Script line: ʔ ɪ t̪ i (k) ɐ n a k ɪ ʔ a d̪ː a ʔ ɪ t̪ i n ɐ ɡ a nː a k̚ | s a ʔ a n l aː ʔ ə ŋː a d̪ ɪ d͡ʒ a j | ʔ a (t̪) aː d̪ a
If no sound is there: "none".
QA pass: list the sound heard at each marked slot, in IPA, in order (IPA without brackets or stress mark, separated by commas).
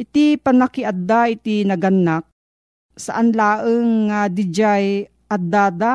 p, d̪